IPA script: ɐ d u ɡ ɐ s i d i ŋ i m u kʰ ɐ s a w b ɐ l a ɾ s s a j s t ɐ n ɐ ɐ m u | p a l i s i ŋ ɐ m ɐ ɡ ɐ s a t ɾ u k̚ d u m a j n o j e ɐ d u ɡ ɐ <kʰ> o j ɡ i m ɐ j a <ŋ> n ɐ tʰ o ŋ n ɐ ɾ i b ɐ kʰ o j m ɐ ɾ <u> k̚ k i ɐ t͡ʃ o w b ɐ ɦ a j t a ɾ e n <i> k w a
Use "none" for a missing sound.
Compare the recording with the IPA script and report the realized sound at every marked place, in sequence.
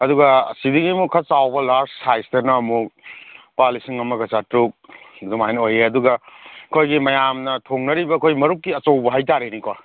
kʰ, m, u, i

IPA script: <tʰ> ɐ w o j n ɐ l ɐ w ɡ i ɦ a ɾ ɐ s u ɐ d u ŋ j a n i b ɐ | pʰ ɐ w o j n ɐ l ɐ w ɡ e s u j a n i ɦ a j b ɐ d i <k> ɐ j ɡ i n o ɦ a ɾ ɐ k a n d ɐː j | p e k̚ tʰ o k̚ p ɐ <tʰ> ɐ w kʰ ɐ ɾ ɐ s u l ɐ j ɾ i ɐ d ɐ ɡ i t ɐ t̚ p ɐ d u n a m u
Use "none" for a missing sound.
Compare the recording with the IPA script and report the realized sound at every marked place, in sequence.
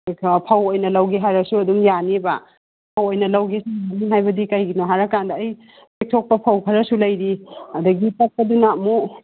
pʰ, k, pʰ

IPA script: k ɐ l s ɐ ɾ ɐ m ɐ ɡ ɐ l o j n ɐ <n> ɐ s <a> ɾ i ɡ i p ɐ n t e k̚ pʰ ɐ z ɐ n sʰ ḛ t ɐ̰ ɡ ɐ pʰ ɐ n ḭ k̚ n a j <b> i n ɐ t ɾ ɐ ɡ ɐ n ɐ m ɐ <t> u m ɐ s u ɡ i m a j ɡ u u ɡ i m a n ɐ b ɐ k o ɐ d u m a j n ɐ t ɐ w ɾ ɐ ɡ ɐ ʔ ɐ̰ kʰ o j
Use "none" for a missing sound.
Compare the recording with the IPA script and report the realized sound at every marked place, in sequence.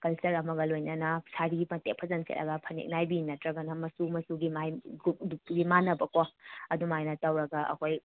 n, a, b, s

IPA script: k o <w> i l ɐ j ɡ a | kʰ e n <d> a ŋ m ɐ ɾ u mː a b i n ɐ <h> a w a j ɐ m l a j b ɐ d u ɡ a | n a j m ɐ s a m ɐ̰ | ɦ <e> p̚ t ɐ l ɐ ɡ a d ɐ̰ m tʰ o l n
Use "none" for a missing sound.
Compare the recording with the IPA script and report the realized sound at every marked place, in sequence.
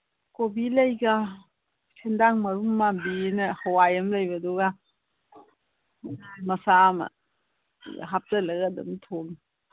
b, d, h, a

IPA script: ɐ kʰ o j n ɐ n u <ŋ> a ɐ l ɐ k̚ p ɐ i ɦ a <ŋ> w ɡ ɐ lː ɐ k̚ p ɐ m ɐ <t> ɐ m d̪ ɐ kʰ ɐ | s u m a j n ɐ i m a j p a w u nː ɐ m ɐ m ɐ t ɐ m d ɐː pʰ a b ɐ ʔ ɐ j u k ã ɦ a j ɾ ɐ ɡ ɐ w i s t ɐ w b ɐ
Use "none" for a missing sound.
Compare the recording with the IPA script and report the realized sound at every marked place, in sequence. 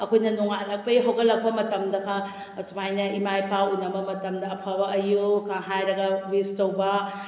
ŋ, none, t

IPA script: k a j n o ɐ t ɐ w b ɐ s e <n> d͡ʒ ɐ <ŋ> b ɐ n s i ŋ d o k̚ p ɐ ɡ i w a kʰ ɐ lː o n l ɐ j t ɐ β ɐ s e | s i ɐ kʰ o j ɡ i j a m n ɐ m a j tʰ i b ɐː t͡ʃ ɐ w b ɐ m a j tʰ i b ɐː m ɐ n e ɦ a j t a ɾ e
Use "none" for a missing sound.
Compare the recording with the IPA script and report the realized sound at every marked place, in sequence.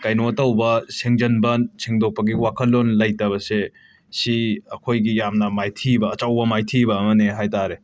ŋ, n

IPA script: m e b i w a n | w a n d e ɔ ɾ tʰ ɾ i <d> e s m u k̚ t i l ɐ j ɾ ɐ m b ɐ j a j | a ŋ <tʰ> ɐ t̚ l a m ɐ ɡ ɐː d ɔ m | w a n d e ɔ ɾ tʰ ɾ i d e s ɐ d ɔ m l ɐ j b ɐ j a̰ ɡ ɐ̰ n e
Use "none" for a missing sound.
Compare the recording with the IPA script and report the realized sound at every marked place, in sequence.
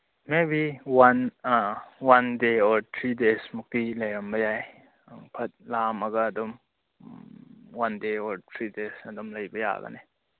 d, pʰ

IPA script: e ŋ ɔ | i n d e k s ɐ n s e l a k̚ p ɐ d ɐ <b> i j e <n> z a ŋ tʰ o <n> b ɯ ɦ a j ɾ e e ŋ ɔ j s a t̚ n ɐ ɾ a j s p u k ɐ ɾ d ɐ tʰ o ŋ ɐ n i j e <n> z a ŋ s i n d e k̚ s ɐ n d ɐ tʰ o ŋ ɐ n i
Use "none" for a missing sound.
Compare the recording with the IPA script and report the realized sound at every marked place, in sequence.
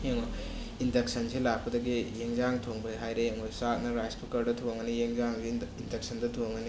ɡ, ŋ, ŋ, ŋ

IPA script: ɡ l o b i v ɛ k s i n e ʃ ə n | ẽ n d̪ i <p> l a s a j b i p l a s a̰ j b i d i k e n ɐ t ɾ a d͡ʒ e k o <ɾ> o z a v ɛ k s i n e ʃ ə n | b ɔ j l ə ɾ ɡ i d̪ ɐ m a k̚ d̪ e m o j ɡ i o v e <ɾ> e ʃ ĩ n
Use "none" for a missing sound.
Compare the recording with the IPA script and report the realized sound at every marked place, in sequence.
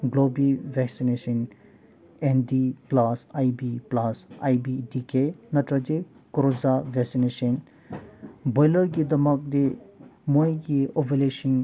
p, ɾ, l

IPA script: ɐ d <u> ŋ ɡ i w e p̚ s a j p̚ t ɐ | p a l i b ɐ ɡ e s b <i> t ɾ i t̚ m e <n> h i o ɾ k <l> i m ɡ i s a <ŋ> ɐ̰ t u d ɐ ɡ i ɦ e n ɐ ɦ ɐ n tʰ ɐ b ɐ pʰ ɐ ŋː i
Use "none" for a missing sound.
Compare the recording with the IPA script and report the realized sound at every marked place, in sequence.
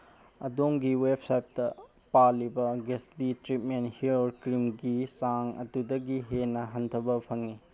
o, i, n, ɾ, ŋ

